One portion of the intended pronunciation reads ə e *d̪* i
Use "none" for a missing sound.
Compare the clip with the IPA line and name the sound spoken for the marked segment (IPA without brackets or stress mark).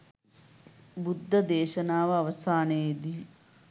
d̪